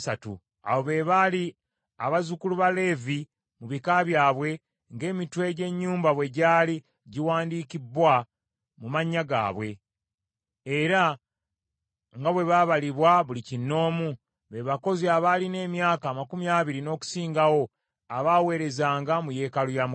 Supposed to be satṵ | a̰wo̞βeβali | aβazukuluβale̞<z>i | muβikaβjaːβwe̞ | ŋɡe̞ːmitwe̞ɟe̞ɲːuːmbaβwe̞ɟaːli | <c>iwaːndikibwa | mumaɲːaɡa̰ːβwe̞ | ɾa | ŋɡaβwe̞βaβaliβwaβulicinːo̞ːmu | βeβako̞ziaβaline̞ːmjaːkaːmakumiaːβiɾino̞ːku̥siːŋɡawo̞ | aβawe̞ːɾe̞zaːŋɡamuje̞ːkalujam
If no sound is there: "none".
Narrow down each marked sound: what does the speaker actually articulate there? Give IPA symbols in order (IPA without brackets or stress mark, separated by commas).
v, ɟ